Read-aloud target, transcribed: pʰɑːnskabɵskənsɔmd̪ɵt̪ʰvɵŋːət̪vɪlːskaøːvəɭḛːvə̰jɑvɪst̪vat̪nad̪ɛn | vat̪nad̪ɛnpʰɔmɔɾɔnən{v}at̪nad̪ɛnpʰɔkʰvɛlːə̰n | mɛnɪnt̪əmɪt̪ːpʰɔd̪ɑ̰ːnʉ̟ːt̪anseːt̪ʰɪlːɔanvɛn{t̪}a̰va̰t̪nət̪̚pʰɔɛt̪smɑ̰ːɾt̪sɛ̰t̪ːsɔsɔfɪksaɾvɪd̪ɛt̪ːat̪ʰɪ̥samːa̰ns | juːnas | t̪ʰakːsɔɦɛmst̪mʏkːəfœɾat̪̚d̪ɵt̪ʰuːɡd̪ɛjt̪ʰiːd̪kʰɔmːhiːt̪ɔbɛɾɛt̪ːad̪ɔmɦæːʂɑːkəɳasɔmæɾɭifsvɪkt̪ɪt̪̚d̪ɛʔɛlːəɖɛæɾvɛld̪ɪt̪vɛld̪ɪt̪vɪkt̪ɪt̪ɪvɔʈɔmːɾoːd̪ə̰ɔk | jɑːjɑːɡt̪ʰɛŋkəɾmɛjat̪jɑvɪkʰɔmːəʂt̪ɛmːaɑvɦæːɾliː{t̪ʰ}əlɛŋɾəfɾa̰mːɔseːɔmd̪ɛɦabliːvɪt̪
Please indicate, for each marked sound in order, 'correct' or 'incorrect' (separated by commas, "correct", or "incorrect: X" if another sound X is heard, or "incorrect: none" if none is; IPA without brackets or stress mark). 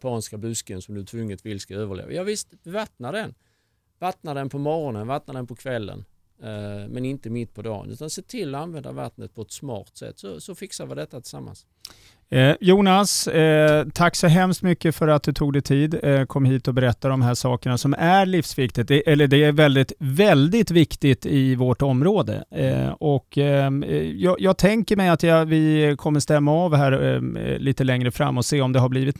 correct, incorrect: d̪, incorrect: t̪